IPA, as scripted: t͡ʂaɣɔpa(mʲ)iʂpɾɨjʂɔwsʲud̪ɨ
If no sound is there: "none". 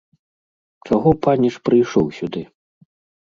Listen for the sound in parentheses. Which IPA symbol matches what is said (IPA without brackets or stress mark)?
nʲ